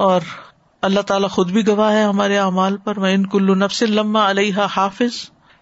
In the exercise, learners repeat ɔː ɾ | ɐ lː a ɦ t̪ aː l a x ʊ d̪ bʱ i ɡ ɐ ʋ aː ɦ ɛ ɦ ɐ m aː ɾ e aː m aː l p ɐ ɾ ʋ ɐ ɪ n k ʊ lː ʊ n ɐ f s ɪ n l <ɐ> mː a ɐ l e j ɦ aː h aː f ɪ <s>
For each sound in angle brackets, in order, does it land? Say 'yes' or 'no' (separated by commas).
yes, no